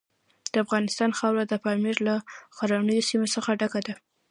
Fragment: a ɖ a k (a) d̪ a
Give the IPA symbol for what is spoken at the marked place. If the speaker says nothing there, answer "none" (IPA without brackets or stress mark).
a